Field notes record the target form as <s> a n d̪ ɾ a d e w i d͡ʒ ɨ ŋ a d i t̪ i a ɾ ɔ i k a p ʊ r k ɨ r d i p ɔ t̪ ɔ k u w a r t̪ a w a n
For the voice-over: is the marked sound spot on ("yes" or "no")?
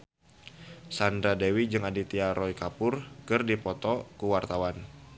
yes